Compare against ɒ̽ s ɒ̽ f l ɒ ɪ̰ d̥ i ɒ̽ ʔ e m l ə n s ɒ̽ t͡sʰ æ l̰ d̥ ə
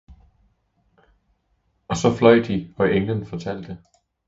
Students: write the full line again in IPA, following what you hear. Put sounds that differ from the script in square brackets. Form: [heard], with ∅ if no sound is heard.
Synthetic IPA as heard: ɒ̽ s ɒ̽ f l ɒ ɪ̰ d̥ i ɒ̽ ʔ e [ŋ] l ə n [f] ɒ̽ t͡sʰ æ l̰ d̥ ə